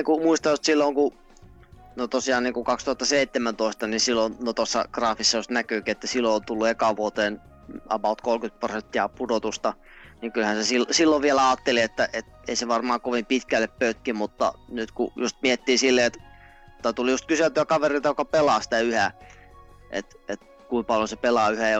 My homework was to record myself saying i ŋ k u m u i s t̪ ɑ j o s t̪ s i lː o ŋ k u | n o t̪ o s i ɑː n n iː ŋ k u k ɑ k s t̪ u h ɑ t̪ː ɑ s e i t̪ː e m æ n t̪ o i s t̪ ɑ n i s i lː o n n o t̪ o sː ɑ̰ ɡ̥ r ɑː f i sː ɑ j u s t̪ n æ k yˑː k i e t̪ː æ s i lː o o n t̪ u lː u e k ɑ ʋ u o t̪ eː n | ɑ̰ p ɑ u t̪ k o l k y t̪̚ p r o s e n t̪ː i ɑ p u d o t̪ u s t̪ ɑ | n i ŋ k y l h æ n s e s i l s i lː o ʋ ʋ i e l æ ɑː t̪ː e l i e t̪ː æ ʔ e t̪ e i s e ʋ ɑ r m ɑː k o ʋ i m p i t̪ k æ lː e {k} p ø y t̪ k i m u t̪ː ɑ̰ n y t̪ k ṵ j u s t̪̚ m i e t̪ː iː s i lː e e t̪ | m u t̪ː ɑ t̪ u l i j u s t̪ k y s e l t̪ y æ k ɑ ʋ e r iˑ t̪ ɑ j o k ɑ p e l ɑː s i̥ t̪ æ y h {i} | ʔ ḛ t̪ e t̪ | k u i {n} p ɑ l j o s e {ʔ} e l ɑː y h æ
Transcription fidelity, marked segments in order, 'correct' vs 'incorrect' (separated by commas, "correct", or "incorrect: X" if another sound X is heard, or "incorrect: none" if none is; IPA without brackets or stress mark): incorrect: p, incorrect: æ, incorrect: m, incorrect: p